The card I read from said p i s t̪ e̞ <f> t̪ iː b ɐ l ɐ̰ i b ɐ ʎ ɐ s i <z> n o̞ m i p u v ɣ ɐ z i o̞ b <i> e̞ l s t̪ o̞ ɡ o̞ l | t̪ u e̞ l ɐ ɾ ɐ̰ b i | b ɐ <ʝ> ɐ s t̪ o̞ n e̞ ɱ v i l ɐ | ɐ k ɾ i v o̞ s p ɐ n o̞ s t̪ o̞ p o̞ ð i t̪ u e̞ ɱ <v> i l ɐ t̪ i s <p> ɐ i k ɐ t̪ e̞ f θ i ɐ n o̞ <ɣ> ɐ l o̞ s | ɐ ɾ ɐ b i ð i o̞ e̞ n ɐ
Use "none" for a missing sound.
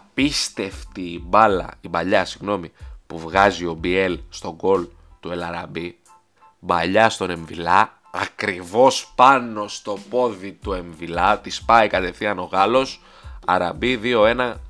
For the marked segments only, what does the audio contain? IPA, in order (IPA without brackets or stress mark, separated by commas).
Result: f, ɣ, i, ʎ, v, p, ɣ